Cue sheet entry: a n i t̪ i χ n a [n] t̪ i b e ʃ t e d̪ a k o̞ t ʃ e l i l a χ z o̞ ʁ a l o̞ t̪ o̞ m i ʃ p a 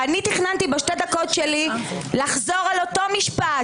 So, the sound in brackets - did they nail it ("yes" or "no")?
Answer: yes